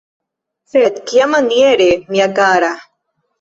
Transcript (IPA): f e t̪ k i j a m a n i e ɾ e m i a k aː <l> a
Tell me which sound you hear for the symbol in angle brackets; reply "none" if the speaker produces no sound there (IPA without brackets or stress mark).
ɾ